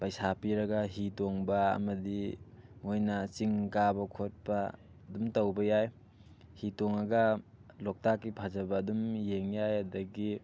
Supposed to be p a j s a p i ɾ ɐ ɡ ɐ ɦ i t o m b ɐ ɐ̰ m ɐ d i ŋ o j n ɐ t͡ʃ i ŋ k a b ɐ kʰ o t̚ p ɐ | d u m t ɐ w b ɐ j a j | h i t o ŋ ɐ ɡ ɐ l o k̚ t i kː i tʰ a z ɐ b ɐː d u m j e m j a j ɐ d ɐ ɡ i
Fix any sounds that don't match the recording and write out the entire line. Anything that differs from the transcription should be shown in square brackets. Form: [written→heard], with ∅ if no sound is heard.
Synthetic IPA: p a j s a p i ɾ ɐ ɡ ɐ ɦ i t o [m→ŋ] b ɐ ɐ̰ m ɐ d i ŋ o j n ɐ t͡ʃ i ŋ k a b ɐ kʰ o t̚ p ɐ | d u m t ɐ w b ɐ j a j | h i t o ŋ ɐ ɡ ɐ l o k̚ t [i→a] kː i [tʰ→pʰ] a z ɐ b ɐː d u m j e [m→ŋ] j a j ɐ d ɐ ɡ i